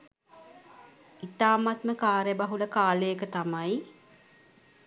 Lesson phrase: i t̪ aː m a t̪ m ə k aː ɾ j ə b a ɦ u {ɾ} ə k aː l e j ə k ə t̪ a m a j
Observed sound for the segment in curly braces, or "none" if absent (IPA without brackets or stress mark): l